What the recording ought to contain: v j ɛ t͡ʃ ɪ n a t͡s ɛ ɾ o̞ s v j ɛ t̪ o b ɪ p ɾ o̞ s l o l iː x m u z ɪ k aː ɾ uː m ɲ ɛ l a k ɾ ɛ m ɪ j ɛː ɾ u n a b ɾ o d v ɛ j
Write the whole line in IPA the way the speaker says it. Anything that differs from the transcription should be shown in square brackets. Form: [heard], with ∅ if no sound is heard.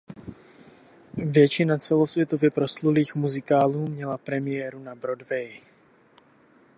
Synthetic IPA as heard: v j ɛ t͡ʃ ɪ n a t͡s ɛ [l] o̞ s v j ɛ t̪ o [v] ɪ p ɾ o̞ s l [u] l iː x m u z ɪ k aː [l] uː m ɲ ɛ l a [p] ɾ ɛ m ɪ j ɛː ɾ u n a b ɾ o d v ɛ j